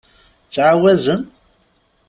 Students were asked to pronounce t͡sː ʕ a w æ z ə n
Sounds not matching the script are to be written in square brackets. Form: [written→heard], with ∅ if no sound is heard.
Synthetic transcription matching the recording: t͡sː ʕ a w æ z ə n